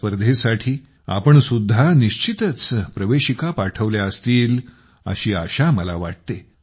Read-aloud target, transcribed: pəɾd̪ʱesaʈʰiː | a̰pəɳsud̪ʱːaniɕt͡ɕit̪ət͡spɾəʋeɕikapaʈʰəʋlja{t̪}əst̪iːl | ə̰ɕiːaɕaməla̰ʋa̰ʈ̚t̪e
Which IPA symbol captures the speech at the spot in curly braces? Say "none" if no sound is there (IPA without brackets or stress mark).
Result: none